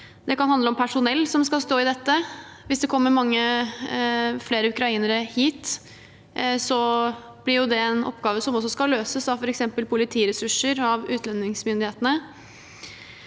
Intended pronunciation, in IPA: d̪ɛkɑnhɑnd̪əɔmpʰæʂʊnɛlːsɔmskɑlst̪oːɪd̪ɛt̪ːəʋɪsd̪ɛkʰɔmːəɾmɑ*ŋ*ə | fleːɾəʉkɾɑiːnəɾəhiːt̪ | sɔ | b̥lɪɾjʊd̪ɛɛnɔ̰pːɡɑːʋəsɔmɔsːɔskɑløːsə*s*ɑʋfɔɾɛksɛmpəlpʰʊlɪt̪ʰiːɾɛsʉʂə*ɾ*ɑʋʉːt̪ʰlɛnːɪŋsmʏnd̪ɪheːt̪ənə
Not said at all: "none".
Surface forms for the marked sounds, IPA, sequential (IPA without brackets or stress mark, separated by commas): ŋː, s, ɾ